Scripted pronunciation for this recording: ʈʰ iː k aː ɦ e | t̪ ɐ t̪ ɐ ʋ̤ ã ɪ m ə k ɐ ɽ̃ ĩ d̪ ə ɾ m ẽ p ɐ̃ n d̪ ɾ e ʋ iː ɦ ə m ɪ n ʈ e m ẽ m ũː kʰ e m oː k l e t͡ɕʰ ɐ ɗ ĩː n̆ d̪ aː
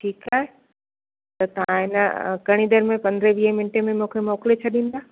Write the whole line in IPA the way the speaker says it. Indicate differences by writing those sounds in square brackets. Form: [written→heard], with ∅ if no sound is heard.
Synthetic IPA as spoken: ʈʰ iː k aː ɦ e | t̪ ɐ t̪ ɐ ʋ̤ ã ɪ [m→n] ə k ɐ ɽ̃ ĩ d̪ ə ɾ m ẽ p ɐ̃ n d̪ ɾ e ʋ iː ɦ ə m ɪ n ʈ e m ẽ m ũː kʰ e m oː k l e t͡ɕʰ ɐ ɗ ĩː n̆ d̪ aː